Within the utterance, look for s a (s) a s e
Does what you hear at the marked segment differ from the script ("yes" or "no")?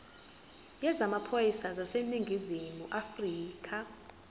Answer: yes